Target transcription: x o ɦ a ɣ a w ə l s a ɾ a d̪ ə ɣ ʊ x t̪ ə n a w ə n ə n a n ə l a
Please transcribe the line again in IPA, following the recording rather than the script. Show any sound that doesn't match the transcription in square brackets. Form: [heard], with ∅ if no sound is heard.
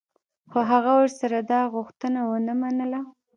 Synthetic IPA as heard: x o ɦ a ɣ a w ə [ɾ] s a ɾ a d̪ [ɑ] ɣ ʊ x t̪ ə n a w ə n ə [m] a n ə l a